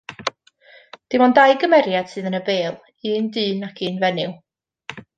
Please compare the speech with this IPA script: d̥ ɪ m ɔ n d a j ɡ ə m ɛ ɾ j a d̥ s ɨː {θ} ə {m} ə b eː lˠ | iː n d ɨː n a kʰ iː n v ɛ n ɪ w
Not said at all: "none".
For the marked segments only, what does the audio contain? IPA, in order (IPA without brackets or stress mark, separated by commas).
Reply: ð, n